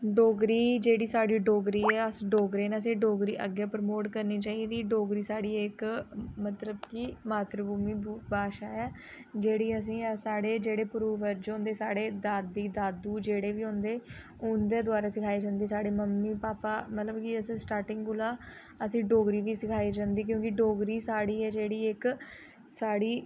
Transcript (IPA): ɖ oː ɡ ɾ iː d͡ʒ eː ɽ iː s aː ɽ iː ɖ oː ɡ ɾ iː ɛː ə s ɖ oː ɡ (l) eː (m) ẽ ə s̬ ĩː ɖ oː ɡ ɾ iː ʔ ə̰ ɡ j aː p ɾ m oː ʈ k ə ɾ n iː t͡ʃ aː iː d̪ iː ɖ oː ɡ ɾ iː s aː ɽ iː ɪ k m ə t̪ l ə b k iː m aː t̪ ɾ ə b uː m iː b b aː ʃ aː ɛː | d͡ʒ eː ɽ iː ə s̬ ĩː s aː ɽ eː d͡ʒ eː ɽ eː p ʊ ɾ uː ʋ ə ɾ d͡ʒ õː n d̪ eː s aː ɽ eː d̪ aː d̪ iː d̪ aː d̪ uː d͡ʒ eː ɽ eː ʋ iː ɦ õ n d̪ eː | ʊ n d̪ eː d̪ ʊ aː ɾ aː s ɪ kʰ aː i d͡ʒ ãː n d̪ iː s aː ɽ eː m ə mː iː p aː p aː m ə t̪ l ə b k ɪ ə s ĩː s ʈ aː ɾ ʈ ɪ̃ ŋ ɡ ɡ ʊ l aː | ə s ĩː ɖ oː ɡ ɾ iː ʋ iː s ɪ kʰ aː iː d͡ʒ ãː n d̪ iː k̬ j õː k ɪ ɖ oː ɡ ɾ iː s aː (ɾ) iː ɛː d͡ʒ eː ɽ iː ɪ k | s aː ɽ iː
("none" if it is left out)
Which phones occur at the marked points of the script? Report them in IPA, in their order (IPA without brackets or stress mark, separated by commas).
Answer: ɾ, n, ɽ